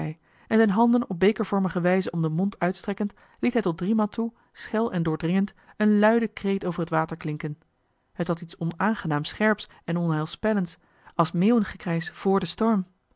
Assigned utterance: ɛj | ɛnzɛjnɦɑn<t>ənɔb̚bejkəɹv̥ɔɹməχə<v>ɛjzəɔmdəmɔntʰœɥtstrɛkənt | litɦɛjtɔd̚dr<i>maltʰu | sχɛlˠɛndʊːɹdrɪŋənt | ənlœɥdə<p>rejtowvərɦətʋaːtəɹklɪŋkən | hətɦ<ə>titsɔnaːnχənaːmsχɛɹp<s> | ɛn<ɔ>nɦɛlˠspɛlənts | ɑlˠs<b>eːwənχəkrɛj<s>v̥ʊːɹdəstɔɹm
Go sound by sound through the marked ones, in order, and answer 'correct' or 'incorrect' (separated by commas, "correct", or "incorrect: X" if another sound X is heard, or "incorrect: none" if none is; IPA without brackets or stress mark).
incorrect: d, incorrect: ʋ, correct, incorrect: k, incorrect: ɑ, correct, correct, incorrect: m, correct